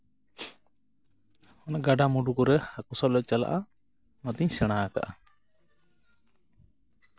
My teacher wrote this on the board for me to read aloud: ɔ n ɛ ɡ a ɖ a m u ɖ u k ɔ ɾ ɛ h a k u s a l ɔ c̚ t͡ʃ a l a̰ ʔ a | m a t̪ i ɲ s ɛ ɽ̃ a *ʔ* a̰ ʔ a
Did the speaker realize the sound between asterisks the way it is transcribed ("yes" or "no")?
no